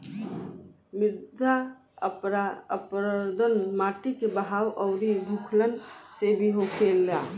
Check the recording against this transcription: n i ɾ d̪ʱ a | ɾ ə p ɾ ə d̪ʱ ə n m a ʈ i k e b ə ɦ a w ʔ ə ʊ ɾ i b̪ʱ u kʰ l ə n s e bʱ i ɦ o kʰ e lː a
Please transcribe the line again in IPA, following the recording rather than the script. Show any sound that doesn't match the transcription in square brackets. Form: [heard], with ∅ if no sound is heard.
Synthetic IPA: [m] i ɾ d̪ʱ a | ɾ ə p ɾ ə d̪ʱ ə n m a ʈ i k e b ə ɦ a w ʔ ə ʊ ɾ i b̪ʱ u kʰ l ə n s e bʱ i ɦ o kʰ e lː a